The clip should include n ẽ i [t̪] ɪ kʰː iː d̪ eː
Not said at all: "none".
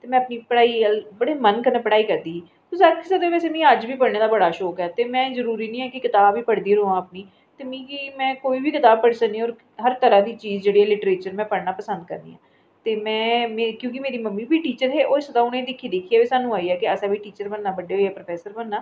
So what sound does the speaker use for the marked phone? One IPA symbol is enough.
d̪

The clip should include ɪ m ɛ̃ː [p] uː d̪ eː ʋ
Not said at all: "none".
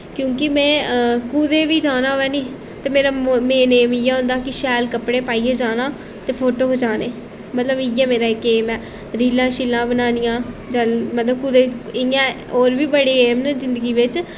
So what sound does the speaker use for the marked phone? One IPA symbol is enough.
k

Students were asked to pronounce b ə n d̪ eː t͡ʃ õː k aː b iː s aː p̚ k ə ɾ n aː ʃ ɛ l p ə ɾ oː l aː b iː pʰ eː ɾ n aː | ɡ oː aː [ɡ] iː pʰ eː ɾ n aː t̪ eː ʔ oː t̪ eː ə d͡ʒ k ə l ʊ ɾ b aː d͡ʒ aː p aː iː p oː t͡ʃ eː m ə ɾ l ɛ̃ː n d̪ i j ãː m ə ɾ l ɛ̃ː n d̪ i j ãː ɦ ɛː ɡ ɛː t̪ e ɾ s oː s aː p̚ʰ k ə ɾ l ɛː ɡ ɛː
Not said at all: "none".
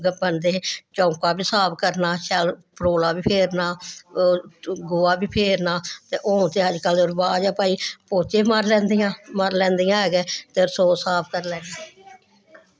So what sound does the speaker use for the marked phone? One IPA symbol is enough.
b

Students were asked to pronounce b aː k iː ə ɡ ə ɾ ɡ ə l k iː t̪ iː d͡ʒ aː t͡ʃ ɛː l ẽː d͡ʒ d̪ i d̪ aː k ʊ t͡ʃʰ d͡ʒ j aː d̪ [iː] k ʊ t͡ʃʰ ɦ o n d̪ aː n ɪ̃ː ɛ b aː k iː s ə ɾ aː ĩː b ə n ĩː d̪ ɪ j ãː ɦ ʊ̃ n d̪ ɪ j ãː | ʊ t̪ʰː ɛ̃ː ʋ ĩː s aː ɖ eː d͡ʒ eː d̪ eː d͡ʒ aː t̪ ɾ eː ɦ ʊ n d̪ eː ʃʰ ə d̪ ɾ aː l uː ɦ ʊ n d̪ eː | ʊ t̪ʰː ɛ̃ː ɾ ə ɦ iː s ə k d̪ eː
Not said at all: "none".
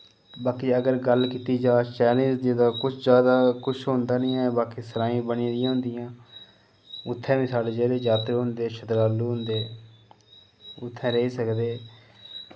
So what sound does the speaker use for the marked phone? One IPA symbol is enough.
aː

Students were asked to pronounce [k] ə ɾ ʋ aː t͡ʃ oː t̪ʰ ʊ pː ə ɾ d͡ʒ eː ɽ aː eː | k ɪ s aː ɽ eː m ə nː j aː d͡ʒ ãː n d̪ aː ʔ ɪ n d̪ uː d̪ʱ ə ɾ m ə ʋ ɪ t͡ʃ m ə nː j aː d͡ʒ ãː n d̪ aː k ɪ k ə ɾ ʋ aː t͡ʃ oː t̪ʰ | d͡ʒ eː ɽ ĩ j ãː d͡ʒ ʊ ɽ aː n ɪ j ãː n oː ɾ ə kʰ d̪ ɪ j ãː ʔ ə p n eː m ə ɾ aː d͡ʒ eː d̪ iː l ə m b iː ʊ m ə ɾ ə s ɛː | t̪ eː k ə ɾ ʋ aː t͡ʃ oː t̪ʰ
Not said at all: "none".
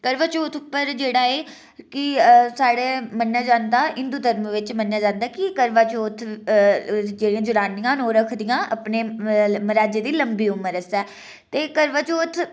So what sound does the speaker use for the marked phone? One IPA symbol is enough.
k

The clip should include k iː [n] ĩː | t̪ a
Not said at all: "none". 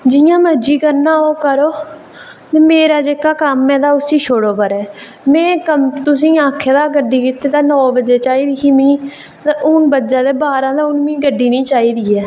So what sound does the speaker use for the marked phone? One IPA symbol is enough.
m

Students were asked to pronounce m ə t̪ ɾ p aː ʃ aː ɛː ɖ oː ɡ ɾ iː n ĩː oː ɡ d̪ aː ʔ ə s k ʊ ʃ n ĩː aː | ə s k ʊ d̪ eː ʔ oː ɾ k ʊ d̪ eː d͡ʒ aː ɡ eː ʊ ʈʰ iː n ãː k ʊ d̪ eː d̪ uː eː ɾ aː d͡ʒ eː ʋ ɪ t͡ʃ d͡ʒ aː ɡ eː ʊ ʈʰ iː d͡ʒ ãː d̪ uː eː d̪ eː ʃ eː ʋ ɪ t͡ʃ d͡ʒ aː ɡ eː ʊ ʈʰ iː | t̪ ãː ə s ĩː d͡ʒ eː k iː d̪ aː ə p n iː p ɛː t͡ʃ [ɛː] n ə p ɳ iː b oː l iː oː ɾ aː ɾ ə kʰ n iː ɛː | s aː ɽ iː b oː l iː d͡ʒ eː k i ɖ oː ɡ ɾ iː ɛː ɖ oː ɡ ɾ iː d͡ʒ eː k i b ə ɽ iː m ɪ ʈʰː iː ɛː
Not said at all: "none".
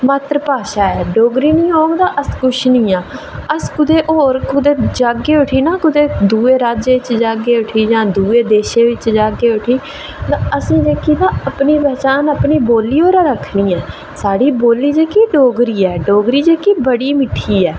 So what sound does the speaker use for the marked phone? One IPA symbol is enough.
aː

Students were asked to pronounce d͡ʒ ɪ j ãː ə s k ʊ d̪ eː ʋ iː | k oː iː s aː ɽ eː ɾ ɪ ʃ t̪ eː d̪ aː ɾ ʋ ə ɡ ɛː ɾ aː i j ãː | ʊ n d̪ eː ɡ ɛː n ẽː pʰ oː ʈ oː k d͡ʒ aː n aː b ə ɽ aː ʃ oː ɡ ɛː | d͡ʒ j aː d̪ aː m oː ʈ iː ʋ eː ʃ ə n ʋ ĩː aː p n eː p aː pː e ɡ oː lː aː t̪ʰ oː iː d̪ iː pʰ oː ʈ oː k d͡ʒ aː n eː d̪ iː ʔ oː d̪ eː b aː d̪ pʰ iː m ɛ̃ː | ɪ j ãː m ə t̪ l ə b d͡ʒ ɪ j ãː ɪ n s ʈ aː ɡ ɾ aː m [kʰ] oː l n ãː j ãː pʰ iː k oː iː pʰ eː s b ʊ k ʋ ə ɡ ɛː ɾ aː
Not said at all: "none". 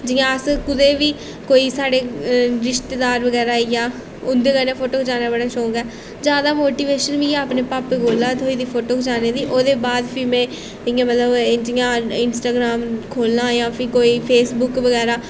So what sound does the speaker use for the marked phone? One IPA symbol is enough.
kʰ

